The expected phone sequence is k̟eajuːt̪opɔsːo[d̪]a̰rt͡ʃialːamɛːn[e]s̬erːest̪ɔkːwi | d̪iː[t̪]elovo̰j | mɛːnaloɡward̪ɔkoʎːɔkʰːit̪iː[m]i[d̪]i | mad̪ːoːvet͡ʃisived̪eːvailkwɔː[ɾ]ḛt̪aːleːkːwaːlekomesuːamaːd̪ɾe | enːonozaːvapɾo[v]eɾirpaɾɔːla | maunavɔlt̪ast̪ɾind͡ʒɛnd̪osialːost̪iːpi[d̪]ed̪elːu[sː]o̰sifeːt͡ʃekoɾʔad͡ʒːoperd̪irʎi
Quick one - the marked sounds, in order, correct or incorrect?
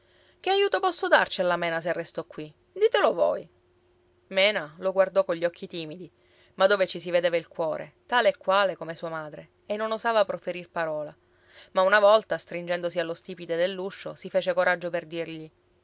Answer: correct, incorrect, correct, correct, correct, correct, incorrect, correct, incorrect

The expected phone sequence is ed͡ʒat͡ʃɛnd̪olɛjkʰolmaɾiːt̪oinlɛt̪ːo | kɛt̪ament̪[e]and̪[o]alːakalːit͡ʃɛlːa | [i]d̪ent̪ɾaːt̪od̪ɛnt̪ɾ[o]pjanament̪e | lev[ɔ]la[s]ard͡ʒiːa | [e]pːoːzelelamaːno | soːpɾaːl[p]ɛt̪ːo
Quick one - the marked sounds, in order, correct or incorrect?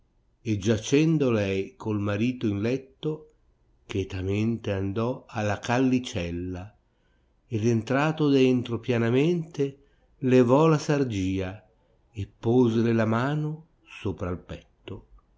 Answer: correct, incorrect, incorrect, correct, correct, correct, correct, correct

